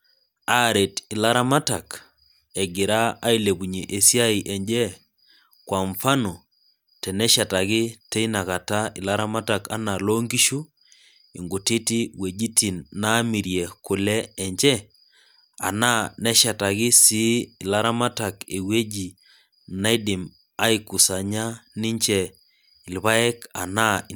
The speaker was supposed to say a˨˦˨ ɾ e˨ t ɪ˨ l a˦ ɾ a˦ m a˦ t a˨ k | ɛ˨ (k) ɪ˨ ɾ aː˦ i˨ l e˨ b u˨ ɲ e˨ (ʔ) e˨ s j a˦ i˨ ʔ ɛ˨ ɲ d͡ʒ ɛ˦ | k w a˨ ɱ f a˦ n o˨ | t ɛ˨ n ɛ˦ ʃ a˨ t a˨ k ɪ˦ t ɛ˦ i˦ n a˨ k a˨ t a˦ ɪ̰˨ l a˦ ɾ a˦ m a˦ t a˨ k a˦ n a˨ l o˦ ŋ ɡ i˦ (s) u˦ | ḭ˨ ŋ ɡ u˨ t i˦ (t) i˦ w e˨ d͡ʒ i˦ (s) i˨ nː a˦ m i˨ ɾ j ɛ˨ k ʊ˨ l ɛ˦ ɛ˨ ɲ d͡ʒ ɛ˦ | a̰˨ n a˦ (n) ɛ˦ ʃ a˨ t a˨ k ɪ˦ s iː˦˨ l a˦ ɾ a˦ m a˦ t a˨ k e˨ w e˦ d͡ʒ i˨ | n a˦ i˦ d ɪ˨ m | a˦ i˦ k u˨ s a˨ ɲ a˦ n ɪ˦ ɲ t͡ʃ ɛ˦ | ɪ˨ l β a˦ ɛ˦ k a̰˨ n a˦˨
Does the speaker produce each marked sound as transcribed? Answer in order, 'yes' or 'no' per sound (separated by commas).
no, yes, no, yes, no, yes